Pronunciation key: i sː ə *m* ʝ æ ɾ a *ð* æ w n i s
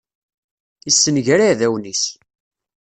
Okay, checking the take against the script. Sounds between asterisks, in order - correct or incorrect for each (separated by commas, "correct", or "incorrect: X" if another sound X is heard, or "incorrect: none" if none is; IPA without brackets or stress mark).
incorrect: n, correct